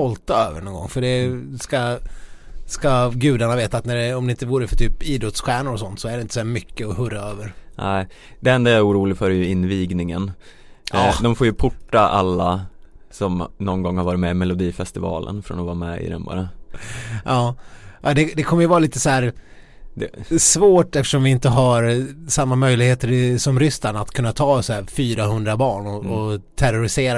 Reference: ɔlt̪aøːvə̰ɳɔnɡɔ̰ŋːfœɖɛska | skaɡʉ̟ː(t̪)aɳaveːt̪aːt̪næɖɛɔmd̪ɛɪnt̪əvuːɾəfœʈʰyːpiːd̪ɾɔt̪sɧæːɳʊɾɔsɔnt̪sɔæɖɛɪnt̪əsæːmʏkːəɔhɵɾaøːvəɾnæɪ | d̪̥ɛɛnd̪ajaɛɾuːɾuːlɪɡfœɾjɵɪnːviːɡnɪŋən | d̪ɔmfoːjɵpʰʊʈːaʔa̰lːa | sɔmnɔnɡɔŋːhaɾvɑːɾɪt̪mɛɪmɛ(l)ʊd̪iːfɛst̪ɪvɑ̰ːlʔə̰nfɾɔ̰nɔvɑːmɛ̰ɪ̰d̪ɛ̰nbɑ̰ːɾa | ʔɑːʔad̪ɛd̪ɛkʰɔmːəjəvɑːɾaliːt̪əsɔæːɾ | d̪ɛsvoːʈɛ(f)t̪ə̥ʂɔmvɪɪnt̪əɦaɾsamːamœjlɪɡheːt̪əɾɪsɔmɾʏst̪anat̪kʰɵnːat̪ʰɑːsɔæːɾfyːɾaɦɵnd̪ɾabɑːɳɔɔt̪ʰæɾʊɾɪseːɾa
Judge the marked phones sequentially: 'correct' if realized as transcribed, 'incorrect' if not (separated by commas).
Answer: incorrect, correct, correct